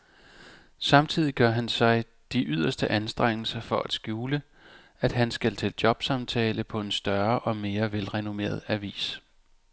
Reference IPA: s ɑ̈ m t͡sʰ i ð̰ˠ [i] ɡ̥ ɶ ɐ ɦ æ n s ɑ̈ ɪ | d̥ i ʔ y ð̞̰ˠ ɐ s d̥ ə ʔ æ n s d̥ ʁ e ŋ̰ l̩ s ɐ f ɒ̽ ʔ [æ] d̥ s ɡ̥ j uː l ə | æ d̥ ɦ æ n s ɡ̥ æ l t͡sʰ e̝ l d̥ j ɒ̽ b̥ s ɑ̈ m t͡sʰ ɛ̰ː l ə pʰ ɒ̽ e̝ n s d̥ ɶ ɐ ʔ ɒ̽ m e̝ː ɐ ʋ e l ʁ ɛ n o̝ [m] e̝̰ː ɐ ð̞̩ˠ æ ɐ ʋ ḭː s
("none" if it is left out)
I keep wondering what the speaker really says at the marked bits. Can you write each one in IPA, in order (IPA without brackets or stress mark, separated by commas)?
i, æ, m